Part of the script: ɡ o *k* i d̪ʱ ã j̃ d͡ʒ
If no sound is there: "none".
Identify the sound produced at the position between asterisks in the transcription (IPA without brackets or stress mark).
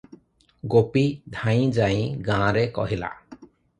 p